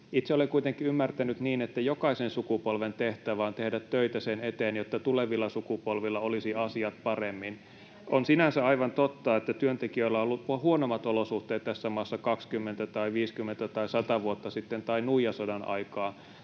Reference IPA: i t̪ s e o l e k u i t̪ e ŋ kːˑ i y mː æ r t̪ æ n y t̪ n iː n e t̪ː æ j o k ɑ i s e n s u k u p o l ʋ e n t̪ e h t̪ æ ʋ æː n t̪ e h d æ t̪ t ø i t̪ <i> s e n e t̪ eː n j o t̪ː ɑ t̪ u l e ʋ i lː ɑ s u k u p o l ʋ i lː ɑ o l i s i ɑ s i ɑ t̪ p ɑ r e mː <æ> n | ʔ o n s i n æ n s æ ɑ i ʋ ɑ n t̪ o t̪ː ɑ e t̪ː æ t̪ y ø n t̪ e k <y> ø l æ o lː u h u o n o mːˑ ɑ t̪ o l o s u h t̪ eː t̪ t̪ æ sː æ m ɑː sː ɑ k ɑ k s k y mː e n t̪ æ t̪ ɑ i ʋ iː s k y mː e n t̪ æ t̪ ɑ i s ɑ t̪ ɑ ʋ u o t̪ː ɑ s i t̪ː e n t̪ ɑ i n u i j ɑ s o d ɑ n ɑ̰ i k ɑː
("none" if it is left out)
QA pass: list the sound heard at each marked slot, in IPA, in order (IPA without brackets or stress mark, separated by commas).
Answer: æ, i, i